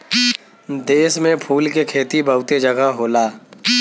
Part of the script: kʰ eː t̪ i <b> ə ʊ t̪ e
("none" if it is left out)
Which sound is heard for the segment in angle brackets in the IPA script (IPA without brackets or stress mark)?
b